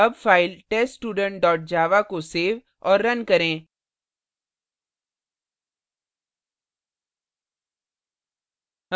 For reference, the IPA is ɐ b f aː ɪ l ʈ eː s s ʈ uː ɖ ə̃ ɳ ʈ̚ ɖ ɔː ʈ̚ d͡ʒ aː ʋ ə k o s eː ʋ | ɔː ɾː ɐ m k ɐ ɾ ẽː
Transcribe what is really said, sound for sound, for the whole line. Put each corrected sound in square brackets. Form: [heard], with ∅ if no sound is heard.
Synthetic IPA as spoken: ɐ b f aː ɪ l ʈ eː s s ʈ uː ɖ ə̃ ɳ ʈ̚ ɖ ɔː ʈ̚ d͡ʒ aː ʋ [a] k o s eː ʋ | ɔː ɾː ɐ [n] k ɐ ɾ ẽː